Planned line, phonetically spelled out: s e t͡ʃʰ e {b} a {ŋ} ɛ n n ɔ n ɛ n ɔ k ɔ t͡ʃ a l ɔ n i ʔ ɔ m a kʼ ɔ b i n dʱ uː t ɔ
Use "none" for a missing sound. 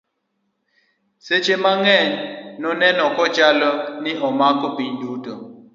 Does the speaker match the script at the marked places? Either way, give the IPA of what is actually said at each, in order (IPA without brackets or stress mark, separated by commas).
m, ŋ